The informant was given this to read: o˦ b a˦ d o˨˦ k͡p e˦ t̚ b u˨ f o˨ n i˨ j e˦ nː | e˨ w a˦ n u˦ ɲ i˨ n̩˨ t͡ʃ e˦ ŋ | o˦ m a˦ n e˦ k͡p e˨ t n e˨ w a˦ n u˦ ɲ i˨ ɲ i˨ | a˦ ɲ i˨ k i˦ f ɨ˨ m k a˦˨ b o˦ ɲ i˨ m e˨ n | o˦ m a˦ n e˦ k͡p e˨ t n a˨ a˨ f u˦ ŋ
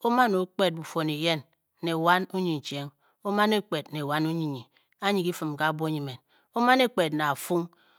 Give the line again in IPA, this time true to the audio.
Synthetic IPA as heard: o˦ m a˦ n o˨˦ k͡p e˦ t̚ b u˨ f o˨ n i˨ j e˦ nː | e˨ w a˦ n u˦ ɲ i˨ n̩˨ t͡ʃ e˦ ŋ | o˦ m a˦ n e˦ k͡p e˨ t n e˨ w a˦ n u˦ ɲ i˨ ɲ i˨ | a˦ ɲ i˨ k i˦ f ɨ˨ m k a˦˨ b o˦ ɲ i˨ m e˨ n | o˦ m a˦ n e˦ k͡p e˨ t n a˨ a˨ f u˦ ŋ